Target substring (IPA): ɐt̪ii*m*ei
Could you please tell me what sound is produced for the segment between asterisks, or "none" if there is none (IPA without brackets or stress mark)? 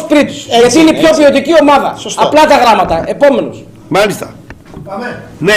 n